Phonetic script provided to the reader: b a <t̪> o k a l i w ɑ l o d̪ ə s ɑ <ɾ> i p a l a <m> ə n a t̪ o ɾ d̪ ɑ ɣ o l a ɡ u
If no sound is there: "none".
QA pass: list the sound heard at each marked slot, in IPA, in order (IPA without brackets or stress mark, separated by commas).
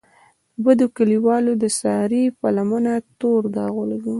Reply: d̪, ɾ, m